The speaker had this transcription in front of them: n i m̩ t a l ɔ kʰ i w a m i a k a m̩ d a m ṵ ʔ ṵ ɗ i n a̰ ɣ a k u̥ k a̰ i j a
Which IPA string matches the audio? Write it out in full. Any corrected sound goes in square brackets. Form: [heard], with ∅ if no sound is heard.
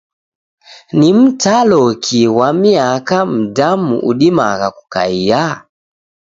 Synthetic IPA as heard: n i m̩ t a l ɔ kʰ i w a m i a k a m̩ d a m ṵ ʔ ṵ ɗ i [m] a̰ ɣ a k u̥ k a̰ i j a